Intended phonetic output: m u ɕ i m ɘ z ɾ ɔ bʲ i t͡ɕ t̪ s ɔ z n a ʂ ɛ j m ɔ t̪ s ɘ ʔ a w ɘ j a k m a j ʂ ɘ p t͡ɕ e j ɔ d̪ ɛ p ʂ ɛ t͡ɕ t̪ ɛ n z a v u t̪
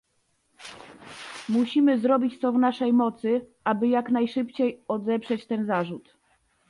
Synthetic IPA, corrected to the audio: m u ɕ i m ɘ z ɾ ɔ bʲ i t͡ɕ t̪ s ɔ v n a ʂ ɛ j m ɔ t̪ s ɘ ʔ a b ɘ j a k n a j ʂ ɘ p t͡ɕ e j ɔ d̪ ɛ p ʂ ɛ t͡ɕ t̪ ɛ n z a ʐ u t̪

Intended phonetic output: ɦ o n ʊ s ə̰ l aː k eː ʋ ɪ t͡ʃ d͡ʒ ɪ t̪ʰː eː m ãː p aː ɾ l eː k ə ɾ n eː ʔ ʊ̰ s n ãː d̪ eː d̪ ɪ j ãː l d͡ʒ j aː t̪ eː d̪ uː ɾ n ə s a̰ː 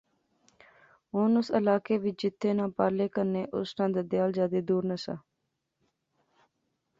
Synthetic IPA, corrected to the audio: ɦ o n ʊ s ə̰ l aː k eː ʋ ɪ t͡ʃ d͡ʒ ɪ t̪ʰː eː n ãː p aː ɾ l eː k ə ɾ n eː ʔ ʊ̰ s n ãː d̪ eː d̪ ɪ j aː l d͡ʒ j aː d̪ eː d̪ uː ɾ n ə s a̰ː

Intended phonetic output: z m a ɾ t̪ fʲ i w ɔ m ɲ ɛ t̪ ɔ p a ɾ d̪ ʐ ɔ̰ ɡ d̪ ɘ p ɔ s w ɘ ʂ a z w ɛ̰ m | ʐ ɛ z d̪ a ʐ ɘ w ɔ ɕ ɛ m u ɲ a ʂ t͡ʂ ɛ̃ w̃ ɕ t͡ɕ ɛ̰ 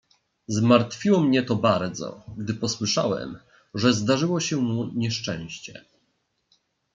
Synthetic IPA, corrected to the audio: z m a ɾ t̪ fʲ i w ɔ m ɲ ɛ t̪ ɔ b a ɾ d̪ z ɔ̰ ɡ d̪ ɘ p ɔ s w ɘ ʂ a w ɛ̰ m | ʐ ɛ z d̪ a ʐ ɘ w ɔ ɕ ɛ m u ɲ ɛ ʂ t͡ʂ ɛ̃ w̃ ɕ t͡ɕ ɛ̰

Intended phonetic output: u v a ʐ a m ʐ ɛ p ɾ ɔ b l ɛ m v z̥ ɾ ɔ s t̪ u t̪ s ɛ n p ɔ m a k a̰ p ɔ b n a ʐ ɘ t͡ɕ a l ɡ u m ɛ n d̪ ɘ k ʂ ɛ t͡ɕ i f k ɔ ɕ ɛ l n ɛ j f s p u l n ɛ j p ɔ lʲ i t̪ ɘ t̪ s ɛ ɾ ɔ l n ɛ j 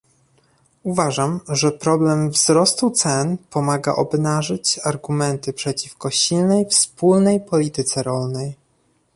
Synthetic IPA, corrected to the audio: u v a ʐ a m ʐ ɛ p ɾ ɔ b l ɛ m v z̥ ɾ ɔ s t̪ u t̪ s ɛ n p ɔ m a ɡ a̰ ʔ ɔ b n a ʐ ɘ t͡ɕ a ɾ ɡ u m ɛ n t̪ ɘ p ʂ ɛ t͡ɕ i f k ɔ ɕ i l n ɛ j f s p u l n ɛ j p ɔ lʲ i t̪ ɘ t̪ s ɛ ɾ ɔ l n ɛ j

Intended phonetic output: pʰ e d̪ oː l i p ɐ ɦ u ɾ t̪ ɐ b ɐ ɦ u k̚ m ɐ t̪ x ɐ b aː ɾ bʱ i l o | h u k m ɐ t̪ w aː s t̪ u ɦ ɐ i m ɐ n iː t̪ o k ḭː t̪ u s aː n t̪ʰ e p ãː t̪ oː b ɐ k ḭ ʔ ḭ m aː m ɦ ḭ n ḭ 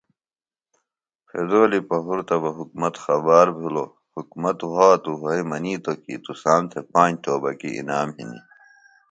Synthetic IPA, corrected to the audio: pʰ e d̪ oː l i p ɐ ɦ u ɾ t̪ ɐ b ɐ ɦ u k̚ m ɐ t̪ x ɐ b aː ɾ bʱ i l o | h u k m ɐ t̪ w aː t̪ u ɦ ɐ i m ɐ n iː t̪ o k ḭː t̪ u s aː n t̪ʰ e p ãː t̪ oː b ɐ k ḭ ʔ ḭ n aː m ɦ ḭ n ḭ

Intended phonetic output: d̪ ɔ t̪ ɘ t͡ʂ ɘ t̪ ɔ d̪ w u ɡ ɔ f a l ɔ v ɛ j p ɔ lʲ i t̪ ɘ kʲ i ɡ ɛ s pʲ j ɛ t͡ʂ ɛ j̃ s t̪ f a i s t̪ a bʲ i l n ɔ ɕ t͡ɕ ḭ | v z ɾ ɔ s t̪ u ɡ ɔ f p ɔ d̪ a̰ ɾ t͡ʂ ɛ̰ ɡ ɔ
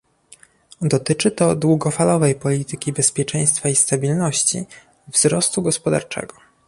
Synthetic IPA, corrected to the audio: d̪ ɔ t̪ ɘ t͡ʂ ɘ t̪ ɔ d̪ w u ɡ ɔ f a l ɔ v ɛ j p ɔ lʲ i t̪ ɘ kʲ i b ɛ s pʲ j ɛ t͡ʂ ɛ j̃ s t̪ f a i s t̪ a bʲ i l n ɔ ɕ t͡ɕ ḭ | v z ɾ ɔ s t̪ u ɡ ɔ s p ɔ d̪ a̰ ɾ t͡ʂ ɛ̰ ɡ ɔ

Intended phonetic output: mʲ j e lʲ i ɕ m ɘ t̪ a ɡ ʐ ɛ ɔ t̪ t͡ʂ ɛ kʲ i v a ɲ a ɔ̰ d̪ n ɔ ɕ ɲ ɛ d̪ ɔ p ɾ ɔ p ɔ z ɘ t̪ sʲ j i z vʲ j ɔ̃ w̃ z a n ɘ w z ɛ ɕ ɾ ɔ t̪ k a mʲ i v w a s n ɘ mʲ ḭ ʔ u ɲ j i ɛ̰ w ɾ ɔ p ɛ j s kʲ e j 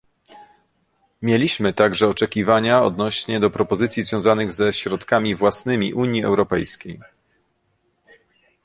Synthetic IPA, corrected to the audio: mʲ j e lʲ i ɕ m ɘ t̪ a ɡ ʐ ɛ ɔ t͡ʂ ɛ kʲ i v a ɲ a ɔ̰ d̪ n ɔ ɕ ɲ ɛ d̪ ɔ p ɾ ɔ p ɔ z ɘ t̪ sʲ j i z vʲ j ɔ̃ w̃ z a n ɘ ɣ z ɛ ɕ ɾ ɔ t̪ k a mʲ i v w a s n ɘ mʲ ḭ ʔ u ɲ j i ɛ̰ w ɾ ɔ p ɛ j s kʲ e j

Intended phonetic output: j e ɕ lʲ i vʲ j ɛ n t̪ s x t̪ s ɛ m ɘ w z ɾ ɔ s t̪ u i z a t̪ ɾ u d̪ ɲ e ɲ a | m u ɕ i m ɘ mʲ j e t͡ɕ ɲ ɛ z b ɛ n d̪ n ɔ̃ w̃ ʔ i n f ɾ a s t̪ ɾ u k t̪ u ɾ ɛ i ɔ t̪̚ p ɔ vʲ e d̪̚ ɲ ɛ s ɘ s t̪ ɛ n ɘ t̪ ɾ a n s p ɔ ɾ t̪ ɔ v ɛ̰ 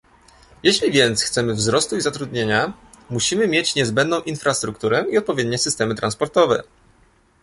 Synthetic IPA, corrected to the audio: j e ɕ lʲ i vʲ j ɛ n t̪ s x t̪ s ɛ m ɘ v z ɾ ɔ s t̪ u i z a t̪ ɾ u d̪ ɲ e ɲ a | m u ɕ i m ɘ mʲ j e t͡ɕ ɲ ɛ z b ɛ n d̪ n ɔ̃ w̃ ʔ i n f ɾ a s t̪ ɾ u k t̪ u ɾ ɛ i ɔ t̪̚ p ɔ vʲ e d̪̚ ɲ ɛ s ɘ s t̪ ɛ m ɘ t̪ ɾ a n s p ɔ ɾ t̪ ɔ v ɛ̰

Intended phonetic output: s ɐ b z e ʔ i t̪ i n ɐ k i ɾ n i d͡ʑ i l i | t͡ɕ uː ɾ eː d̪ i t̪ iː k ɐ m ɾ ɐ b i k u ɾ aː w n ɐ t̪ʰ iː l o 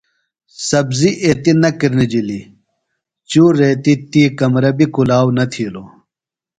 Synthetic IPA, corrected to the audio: s ɐ b z i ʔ e t̪ i n ɐ k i ɾ n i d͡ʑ i l i | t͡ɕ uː ɾ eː t̪ i t̪ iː k ɐ m ɾ ɐ b i k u l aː w n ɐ t̪ʰ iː l o

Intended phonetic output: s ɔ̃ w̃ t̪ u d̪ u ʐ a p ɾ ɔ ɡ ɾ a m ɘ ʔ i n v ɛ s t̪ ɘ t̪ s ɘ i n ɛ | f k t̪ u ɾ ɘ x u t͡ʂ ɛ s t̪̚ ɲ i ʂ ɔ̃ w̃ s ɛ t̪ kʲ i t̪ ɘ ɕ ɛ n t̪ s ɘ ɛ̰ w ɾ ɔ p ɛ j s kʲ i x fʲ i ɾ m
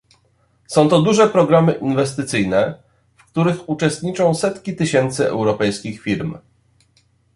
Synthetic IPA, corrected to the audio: s ɔ̃ w̃ t̪ ɔ d̪ u ʐ ɛ p ɾ ɔ ɡ ɾ a m ɘ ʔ i n v ɛ s t̪ ɘ t̪ s ɘ j n ɛ | f k t̪ u ɾ ɘ x u t͡ʂ ɛ s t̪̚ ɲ i t͡ʂ ɔ̃ w̃ s ɛ t̪ kʲ i t̪ ɘ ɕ ɛ n t̪ s ɘ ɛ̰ w ɾ ɔ p ɛ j s kʲ i x fʲ i ɾ m

